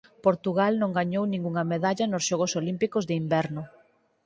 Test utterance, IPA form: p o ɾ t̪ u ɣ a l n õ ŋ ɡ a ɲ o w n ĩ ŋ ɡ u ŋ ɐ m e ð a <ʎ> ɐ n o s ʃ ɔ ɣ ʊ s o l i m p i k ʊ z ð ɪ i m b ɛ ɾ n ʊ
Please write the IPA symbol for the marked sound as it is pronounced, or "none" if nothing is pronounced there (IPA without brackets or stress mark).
ʎ